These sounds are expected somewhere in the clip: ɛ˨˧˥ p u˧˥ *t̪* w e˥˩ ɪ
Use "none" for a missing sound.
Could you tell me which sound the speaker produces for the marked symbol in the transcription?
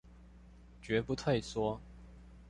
t̪ʰ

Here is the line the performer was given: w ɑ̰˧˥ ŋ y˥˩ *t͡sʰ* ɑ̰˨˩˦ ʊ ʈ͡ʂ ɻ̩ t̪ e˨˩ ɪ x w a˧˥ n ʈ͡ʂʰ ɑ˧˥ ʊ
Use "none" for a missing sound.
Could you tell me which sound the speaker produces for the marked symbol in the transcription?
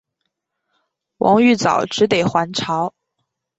t͡s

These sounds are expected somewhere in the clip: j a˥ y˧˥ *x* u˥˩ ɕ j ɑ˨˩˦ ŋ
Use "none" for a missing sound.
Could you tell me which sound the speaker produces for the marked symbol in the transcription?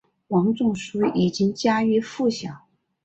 f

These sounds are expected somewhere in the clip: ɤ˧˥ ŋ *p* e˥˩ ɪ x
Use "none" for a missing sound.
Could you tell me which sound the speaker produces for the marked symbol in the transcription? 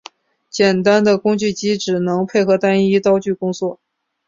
pʰ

